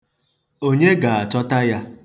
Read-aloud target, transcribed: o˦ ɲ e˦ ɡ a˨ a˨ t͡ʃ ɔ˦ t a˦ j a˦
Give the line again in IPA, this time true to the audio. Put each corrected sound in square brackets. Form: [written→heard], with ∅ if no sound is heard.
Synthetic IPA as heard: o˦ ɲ e˦ ɡ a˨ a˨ t͡ʃ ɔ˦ t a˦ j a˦